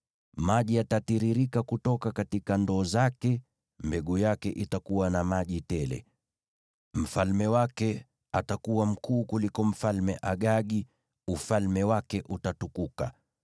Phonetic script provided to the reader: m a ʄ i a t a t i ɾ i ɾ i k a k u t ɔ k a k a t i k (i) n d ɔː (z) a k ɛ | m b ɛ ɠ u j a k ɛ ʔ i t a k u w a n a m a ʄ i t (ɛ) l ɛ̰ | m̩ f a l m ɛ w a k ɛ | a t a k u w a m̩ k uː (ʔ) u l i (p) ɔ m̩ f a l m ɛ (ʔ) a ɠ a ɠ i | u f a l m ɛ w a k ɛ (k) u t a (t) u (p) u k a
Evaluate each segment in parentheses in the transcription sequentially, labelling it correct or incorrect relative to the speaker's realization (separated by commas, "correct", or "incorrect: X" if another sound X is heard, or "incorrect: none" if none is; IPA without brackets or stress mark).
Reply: incorrect: a, correct, correct, incorrect: k, incorrect: k, correct, incorrect: ʔ, correct, incorrect: k